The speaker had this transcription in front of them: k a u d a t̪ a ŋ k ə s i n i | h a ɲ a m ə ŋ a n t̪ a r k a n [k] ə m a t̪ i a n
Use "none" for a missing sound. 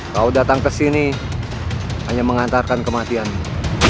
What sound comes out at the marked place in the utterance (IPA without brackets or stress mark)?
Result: k